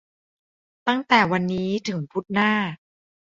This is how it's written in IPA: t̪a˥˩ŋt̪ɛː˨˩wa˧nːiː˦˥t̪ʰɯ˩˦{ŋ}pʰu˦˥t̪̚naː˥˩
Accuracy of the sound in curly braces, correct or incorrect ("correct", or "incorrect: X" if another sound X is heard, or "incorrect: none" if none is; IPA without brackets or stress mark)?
correct